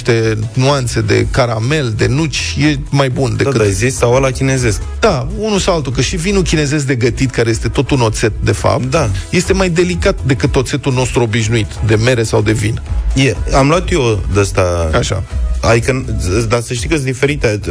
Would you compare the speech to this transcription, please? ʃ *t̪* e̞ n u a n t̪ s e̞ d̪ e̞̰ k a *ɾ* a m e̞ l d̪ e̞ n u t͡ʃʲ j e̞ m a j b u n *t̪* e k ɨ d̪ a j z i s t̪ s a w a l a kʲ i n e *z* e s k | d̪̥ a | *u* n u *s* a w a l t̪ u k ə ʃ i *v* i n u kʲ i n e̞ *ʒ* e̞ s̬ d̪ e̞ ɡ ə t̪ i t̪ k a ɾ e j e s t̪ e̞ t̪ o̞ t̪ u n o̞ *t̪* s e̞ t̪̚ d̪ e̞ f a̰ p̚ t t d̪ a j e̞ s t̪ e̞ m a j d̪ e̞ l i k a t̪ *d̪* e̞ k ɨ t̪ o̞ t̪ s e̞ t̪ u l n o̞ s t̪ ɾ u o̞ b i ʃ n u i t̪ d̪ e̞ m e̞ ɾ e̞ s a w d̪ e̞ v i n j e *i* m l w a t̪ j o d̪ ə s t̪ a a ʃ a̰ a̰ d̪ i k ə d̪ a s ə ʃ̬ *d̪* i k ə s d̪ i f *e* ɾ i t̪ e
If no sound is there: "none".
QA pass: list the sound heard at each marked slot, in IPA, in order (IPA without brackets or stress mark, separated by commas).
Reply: t̪, ɾ, d̪, z, u, s, v, z, t̪, d̪, a, t̪, e